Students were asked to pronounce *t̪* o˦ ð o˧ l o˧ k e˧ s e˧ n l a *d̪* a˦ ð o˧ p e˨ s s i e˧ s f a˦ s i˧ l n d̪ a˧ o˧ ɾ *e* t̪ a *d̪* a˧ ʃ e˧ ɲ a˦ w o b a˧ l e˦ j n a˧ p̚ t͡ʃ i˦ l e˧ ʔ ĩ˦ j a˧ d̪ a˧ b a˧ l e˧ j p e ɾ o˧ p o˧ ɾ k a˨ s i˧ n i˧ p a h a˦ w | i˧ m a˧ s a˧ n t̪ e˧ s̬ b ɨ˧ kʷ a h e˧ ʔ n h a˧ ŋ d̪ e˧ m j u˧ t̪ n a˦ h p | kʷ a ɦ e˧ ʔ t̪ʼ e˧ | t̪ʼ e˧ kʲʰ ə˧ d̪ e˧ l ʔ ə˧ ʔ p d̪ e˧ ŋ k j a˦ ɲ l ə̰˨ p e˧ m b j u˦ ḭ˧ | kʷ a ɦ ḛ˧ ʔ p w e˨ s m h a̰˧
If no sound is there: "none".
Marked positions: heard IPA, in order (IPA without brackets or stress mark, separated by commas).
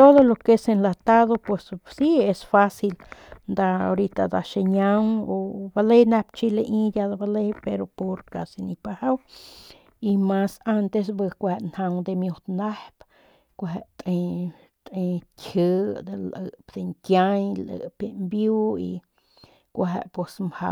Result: t̪, t̪, i, d̪